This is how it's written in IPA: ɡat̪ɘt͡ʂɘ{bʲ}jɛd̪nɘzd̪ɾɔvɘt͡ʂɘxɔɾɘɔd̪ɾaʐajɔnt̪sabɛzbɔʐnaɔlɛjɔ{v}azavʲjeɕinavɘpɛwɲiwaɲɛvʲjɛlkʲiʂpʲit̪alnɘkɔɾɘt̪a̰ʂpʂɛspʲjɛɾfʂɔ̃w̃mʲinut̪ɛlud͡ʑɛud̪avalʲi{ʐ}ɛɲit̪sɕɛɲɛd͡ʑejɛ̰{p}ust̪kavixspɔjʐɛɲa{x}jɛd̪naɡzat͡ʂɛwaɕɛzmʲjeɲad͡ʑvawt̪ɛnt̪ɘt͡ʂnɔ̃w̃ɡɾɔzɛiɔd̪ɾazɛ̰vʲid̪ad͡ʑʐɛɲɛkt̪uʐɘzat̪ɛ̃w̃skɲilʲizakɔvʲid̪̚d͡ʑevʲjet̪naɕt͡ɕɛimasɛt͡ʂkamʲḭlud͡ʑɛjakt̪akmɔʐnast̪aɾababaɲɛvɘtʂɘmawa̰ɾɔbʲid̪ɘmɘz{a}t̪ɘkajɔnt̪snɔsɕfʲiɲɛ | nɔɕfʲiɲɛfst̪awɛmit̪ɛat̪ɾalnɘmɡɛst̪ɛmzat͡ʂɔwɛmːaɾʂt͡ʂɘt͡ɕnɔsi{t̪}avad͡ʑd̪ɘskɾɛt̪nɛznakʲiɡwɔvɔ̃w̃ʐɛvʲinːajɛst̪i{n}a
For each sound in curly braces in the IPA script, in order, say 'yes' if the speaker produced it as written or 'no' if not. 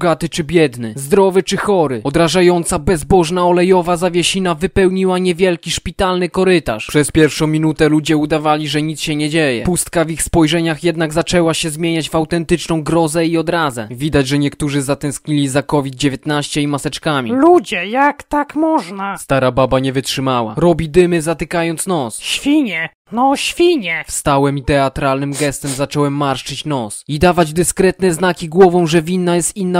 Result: yes, yes, yes, yes, yes, yes, no, no

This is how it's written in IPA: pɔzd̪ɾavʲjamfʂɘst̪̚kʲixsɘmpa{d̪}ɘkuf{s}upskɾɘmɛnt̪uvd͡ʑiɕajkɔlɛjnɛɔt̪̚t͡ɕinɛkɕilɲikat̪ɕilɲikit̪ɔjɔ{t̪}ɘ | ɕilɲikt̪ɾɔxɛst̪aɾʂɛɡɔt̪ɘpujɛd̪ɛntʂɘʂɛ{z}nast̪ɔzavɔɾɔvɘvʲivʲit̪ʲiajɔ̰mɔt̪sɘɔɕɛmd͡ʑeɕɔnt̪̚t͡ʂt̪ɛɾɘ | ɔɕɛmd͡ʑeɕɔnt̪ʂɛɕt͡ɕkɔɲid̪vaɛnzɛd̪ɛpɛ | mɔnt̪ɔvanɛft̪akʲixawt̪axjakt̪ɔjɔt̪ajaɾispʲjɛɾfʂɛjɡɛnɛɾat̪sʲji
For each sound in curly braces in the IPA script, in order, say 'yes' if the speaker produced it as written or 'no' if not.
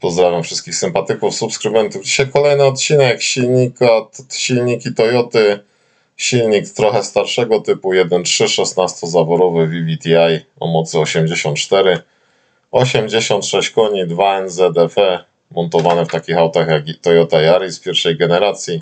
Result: no, yes, yes, no

